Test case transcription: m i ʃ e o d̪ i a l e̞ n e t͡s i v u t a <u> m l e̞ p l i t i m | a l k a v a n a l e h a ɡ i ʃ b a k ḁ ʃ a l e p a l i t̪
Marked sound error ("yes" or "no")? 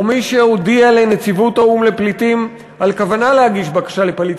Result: no